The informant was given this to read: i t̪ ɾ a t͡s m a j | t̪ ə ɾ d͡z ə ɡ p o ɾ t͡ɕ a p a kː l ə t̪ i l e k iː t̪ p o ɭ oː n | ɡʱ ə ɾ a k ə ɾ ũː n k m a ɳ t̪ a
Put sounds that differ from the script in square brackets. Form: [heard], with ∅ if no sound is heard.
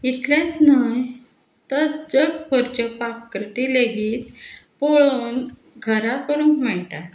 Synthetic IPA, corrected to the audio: i t̪ [l] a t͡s [n] a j | t̪ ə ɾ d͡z ə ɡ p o ɾ t͡ɕ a p a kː [ɾ] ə t̪ i l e [ɡ] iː t̪ p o ɭ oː n | ɡʱ ə ɾ a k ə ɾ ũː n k m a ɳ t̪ a